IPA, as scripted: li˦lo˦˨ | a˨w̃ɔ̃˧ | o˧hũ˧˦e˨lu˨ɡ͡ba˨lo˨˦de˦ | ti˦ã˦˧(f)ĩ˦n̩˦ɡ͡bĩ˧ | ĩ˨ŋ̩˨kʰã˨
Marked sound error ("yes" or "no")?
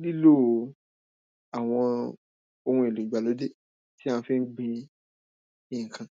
no